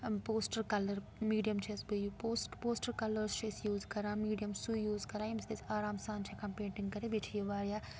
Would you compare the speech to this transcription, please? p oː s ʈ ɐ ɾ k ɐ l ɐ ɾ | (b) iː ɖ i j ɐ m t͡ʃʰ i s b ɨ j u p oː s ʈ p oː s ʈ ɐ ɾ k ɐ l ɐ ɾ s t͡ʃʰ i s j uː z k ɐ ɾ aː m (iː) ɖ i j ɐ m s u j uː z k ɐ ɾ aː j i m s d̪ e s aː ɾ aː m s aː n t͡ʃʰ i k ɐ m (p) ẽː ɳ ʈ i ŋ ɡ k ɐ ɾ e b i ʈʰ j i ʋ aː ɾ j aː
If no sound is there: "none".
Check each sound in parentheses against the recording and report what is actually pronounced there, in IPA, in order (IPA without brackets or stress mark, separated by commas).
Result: m, iː, p